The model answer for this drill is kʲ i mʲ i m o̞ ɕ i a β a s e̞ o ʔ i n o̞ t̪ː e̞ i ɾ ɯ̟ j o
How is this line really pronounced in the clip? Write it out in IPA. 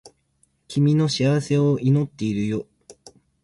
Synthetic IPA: kʲ i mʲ i n o̞ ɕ i a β a s e̞ o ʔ i n o̞ t̪ː e̞ i ɾ ɯ̟ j o

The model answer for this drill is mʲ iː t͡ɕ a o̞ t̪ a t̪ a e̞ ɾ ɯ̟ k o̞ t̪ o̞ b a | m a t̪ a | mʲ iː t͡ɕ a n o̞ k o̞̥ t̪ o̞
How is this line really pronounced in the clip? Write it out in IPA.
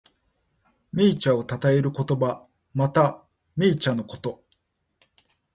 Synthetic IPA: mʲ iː t͡ɕ a o̞ t̪ a t̪ a e̞ ɾ ɯ̟ k o̞ t̪ o̞ b a | m a t̪ a | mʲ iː t͡ɕ a n o̞ k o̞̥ t̪ o̞

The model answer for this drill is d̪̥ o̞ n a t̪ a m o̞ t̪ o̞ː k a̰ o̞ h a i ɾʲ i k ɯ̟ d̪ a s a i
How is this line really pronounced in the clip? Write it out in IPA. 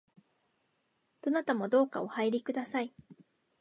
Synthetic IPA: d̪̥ o̞ n a t̪ a m o̞ d̪ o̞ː k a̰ o̞ h a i ɾʲ i k ɯ̟ d̪ a s a i

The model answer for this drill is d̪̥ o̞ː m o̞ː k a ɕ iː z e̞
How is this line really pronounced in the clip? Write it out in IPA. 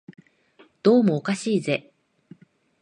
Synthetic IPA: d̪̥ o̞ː m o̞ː k a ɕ iː z e̞

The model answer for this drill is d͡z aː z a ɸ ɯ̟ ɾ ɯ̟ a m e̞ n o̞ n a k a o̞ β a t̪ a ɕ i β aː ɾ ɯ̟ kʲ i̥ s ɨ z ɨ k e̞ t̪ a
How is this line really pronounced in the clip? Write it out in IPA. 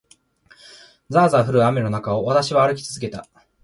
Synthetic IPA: d͡z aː z a ɸ ɯ̟ ɾ ɯ̟ a m e̞ n o̞ n a k a o̞ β a t̪ a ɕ i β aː ɾ ɯ̟ kʲ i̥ t͡s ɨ z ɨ k e̞ t̪ a

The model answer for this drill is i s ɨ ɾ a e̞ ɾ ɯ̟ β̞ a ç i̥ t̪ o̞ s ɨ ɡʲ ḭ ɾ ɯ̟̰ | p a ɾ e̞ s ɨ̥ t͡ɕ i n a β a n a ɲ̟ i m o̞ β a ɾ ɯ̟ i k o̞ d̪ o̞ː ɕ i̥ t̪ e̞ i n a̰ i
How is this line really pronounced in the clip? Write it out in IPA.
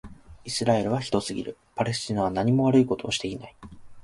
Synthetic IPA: i s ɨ ɾ a e̞ ɾ ɯ̟ β̞ a ç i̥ t̪ o̞ s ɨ ɡʲ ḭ ɾ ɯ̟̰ | p a ɾ e̞ s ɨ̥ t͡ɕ i n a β a n a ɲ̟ i m o̞ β a ɾ ɯ̟ i k o̞ t̪ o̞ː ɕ i̥ t̪ e̞ i n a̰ i

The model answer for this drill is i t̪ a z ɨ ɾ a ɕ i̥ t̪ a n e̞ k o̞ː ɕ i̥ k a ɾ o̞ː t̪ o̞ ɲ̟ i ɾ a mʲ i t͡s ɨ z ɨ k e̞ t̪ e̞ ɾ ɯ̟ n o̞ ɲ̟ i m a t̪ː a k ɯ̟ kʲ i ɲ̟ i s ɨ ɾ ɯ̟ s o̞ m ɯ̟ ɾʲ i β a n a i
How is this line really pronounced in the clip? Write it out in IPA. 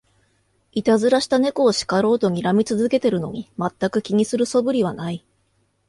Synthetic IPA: i t̪ a z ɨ ɾ a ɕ i̥ t̪ a n e̞ k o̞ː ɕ i̥ k a ɾ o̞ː t̪ o̞ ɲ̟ i ɾ a mʲ i t͡s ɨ z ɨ k e̞ t̪ e̞ ɾ ɯ̟ n o̞ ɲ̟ i m a t̪ː a k ɯ̟ kʲ i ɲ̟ i s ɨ ɾ ɯ̟ s o̞ b ɯ̟ ɾʲ i β a n a i

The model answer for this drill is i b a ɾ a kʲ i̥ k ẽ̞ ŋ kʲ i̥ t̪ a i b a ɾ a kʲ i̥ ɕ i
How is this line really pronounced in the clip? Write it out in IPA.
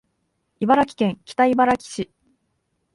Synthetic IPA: i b a ɾ a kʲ i̥ k ẽ̞ ŋ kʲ i̥ t̪ a i b a ɾ a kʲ i̥ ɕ i

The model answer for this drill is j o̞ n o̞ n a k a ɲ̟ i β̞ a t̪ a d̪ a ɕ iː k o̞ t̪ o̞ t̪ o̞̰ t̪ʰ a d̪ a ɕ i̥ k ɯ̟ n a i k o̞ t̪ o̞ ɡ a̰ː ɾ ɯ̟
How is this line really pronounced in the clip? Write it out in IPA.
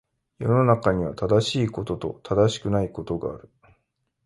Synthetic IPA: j o̞ n o̞ n a k a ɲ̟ i β̞ a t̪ a d̪ a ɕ iː k o̞ t̪ o̞ t̪ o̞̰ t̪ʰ a d̪ a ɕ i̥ k ɯ̟ n a i k o̞ t̪ o̞ ɡ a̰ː ɾ ɯ̟

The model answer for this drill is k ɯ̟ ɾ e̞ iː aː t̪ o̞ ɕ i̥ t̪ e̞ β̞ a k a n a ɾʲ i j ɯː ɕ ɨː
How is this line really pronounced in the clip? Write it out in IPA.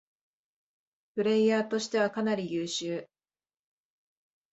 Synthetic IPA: p ɯ̟ ɾ e̞ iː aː t̪ o̞ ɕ i̥ t̪ e̞ β̞ a k a n a ɾʲ i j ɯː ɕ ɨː

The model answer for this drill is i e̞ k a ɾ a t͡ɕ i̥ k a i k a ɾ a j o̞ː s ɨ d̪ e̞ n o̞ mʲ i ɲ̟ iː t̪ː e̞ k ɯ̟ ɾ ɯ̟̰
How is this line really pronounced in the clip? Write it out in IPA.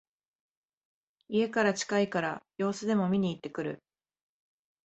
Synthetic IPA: i e̞ k a ɾ a t͡ɕ i̥ k a i k a ɾ a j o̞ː s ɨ d̪ e̞ m o̞ mʲ i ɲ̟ iː t̪ː e̞ k ɯ̟ ɾ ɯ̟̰

